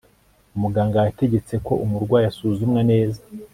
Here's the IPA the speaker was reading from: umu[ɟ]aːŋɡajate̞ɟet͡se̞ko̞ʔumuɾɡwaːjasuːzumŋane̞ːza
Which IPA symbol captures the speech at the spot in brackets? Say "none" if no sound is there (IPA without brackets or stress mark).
ɡ